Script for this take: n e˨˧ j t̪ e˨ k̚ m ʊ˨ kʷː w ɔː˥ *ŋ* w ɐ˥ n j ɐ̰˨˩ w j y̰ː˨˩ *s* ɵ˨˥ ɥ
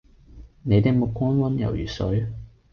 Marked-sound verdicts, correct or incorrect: incorrect: n, correct

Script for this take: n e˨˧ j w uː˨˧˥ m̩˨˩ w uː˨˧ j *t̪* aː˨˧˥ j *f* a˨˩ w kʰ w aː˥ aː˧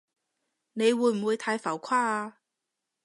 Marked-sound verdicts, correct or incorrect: incorrect: t̪ʰ, correct

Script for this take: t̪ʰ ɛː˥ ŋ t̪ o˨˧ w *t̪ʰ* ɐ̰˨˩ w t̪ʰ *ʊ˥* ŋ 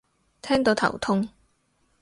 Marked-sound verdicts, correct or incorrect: correct, correct

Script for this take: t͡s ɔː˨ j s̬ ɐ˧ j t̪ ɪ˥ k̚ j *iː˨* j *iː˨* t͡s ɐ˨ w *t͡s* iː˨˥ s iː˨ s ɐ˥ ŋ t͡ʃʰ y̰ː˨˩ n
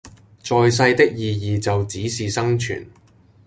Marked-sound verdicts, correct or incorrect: correct, correct, correct

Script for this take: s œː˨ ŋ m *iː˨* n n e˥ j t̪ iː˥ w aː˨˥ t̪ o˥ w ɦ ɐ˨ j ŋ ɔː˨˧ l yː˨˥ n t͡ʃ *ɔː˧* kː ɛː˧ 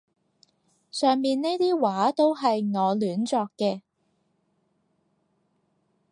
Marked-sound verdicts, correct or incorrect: correct, correct

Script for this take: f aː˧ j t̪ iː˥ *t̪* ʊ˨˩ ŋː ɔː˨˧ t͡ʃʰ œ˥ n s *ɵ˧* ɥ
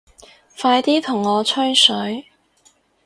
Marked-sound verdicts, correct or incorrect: incorrect: t̪ʰ, incorrect: ɵ˨˥

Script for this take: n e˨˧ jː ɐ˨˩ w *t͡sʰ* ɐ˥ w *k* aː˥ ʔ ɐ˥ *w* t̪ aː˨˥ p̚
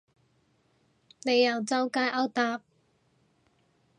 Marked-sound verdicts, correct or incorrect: incorrect: t͡s, correct, correct

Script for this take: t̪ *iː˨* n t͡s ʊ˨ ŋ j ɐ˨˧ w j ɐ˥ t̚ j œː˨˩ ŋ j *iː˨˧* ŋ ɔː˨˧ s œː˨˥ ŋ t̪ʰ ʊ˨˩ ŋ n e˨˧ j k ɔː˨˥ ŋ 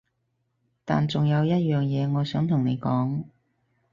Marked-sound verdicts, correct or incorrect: incorrect: aː˨, incorrect: ɛː˨˧

